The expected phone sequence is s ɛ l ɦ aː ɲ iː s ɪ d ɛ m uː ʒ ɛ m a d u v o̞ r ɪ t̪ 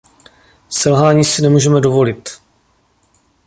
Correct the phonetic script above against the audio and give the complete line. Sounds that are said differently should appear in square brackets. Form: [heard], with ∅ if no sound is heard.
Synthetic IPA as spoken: s ɛ l ɦ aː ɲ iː s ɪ [n] ɛ m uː ʒ ɛ m [ɛ] d [o] v o̞ [l] ɪ t̪